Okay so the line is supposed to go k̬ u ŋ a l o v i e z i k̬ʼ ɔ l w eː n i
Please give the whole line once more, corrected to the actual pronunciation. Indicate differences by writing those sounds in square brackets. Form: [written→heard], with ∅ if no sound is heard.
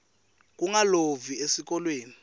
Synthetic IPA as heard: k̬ u ŋ a l o v i e [z→s] i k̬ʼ ɔ l w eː n i